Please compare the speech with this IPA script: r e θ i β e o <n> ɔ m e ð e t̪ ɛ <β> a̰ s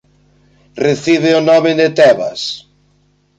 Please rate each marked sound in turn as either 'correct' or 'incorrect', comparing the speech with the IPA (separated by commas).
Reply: correct, correct